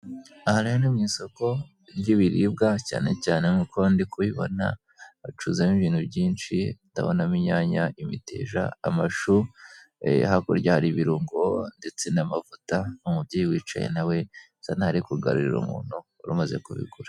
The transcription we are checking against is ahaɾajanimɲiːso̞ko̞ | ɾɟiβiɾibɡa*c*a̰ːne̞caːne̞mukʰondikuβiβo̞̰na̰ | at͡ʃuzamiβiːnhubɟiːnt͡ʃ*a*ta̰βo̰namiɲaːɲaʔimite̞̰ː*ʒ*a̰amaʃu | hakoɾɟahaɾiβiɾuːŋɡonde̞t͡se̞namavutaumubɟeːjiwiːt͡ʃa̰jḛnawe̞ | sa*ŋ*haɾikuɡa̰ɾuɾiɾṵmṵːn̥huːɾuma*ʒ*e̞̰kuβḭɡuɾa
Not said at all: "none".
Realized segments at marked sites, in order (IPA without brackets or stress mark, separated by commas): c, i, ʒ, n, z